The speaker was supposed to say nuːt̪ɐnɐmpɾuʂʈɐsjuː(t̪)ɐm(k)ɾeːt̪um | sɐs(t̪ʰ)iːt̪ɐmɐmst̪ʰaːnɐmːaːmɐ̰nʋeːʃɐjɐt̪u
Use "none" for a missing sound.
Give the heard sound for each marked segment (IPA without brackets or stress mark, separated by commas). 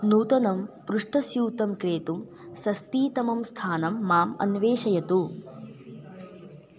t̪, k, t̪